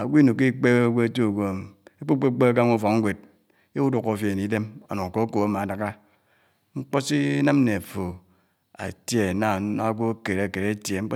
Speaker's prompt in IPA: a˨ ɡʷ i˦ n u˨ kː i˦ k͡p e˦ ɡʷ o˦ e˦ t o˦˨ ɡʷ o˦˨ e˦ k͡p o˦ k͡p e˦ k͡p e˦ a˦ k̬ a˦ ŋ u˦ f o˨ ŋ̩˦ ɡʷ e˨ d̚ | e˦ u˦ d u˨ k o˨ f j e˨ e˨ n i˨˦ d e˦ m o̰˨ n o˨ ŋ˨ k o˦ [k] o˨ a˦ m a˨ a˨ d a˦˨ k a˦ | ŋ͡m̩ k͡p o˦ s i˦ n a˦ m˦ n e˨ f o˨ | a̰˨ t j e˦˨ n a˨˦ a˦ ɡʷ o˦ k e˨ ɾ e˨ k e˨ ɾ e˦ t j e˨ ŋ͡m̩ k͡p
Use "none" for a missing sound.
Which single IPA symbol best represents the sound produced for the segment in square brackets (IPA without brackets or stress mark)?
k